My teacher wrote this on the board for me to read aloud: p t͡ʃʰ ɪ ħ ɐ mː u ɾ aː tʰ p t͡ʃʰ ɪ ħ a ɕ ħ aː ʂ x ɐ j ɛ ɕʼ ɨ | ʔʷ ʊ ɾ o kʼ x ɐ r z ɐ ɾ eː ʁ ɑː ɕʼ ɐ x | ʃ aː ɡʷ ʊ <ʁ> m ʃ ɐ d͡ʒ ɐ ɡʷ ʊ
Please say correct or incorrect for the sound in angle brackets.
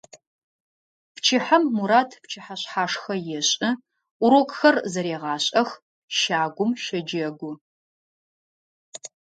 incorrect